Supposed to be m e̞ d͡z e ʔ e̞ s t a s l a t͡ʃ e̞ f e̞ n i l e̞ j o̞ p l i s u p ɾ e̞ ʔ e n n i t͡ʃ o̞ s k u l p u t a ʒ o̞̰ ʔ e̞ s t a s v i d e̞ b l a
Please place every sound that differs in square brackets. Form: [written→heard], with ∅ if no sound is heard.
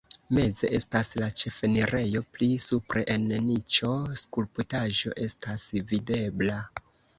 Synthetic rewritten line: m e̞ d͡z e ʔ e̞ s t a s l a t͡ʃ e̞ f e̞ n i [l→ɾ] e̞ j o̞ p l i s u p ɾ e̞ ʔ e n n i t͡ʃ o̞ s k u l p u t a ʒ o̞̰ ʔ e̞ s t a s v i d e̞ b l a